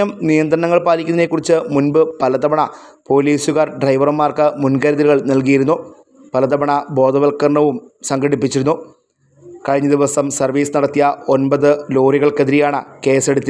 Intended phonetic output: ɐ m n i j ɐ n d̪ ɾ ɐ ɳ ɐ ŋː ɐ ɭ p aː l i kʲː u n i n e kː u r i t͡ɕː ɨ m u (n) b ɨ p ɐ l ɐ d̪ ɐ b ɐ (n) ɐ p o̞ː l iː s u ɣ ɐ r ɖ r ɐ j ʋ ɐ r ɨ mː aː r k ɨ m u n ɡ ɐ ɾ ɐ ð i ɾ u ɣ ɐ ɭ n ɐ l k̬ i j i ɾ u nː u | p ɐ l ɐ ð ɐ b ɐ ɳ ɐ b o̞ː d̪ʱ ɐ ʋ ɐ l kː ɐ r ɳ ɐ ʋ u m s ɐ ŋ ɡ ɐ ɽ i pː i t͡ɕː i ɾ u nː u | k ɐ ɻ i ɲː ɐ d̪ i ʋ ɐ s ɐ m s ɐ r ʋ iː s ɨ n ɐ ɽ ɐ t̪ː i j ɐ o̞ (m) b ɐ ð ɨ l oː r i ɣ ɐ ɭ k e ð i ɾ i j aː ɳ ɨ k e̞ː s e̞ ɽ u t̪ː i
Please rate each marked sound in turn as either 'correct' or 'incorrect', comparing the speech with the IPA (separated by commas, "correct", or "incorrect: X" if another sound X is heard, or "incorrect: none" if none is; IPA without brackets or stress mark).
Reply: correct, incorrect: ɳ, incorrect: n